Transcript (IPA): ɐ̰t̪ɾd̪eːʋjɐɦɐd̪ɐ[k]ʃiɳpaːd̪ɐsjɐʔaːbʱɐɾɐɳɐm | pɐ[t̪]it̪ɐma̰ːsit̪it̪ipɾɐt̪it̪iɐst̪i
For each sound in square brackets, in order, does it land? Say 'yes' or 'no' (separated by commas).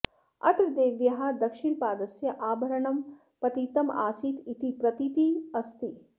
yes, yes